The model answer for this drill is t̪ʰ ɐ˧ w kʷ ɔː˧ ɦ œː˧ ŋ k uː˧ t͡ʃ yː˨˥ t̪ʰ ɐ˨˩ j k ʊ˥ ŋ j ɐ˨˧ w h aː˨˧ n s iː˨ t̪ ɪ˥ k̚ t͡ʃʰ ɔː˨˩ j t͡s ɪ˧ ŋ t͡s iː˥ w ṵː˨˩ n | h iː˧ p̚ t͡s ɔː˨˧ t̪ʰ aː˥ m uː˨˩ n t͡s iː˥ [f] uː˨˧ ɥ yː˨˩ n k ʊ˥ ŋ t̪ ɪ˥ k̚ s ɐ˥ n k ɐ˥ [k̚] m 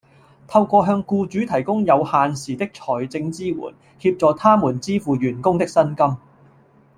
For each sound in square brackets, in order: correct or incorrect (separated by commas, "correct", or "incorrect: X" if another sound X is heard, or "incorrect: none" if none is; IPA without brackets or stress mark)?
correct, incorrect: none